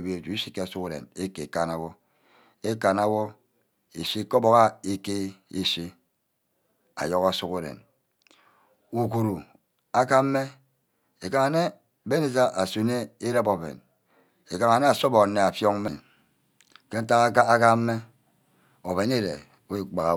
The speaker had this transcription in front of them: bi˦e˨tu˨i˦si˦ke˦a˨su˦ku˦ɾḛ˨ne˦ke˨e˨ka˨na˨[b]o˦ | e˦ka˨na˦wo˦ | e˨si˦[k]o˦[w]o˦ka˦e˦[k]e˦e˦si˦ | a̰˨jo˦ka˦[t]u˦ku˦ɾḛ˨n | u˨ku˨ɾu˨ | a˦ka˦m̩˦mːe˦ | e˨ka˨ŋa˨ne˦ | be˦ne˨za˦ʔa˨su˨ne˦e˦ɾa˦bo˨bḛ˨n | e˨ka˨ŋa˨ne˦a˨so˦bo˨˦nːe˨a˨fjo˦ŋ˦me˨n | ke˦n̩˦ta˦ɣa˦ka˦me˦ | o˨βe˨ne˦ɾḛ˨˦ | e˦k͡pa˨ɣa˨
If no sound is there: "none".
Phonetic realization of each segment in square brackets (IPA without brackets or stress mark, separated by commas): w, k, b, k, s